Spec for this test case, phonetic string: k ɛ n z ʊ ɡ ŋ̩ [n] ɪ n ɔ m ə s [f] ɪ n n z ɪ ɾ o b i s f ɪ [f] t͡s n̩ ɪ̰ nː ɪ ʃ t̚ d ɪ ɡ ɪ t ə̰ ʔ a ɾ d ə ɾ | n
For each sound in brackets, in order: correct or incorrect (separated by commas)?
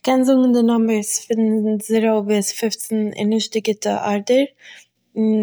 incorrect, correct, correct